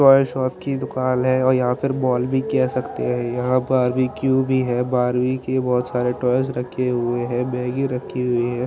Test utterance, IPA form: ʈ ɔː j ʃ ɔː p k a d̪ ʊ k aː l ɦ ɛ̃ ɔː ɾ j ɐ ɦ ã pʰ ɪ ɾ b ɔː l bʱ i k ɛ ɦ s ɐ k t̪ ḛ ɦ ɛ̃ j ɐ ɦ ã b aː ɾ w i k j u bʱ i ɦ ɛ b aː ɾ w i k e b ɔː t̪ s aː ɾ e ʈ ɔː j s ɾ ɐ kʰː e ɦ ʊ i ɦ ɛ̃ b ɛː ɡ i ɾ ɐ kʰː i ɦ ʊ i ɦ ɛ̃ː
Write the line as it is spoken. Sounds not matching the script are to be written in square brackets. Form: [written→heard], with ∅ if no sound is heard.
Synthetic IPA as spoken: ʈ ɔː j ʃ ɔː p k [a→i] d̪ ʊ k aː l ɦ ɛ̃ ɔː ɾ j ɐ ɦ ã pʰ ɪ ɾ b ɔː l bʱ i k ɛ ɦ s ɐ k t̪ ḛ ɦ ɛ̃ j ɐ ɦ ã b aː ɾ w i k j u bʱ i ɦ ɛ b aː ɾ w i k e b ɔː t̪ s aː ɾ e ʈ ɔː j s ɾ ɐ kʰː e ɦ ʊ [i→e] ɦ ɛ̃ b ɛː ɡ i ɾ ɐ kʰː i ɦ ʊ i ɦ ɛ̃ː